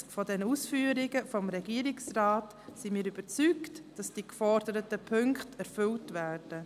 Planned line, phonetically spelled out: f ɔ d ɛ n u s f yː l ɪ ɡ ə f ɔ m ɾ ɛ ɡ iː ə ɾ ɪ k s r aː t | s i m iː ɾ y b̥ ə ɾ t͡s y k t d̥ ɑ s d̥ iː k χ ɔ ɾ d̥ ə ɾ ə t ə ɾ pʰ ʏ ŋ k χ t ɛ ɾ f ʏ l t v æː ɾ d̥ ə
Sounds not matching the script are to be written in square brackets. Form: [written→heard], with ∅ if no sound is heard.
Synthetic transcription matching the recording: f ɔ d ɛ n u s f yː [l→ɾ] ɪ ɡ ə f ɔ m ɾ ɛ ɡ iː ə ɾ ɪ k s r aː t | s i m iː ɾ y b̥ ə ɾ t͡s y k t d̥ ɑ s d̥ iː k [χ→f] ɔ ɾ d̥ ə ɾ ə t ə [ɾ→∅] pʰ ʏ ŋ k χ t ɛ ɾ f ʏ l t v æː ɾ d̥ ə